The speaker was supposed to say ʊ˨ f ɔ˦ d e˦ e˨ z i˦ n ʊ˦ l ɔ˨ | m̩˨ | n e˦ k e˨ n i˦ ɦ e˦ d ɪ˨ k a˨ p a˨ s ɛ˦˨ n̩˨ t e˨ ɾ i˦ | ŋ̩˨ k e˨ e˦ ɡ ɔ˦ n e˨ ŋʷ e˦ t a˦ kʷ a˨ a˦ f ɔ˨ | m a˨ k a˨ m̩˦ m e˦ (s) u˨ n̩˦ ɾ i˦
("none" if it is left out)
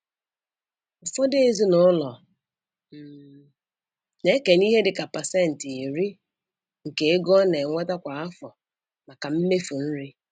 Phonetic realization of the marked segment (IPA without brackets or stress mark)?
f